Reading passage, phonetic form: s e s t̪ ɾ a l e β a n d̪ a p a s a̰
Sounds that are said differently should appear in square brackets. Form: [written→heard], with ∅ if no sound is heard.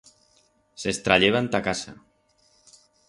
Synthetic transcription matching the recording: s e s t̪ ɾ a [l→ʎ] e β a n [d̪→t̪] a [p→k] a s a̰